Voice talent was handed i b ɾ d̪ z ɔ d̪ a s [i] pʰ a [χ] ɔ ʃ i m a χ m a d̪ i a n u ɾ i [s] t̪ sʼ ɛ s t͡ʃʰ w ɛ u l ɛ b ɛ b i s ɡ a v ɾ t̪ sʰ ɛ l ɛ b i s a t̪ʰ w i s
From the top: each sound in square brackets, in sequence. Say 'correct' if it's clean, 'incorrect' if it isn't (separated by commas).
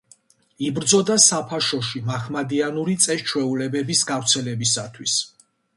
incorrect, incorrect, incorrect